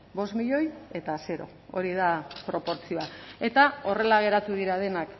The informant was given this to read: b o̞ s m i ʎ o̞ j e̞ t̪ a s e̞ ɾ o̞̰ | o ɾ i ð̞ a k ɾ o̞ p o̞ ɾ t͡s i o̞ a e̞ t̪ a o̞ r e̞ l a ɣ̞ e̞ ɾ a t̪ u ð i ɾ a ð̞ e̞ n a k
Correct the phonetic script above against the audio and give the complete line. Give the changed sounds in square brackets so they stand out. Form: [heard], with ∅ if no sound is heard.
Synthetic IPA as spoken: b o̞ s m i ʎ o̞ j e̞ t̪ a s e̞ ɾ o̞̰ | o ɾ i ð̞ a [p] ɾ o̞ p o̞ ɾ t͡s i o̞ a e̞ t̪ a o̞ r e̞ l a ɣ̞ e̞ ɾ a t̪ u ð i ɾ a ð̞ e̞ n a k